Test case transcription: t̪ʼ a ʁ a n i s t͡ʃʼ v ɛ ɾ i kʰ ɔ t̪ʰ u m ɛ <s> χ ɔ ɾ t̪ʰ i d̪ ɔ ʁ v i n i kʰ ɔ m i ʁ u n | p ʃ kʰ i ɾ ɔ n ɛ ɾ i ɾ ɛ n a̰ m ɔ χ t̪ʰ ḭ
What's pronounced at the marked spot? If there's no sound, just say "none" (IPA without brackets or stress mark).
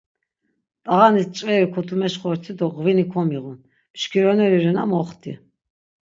ʃ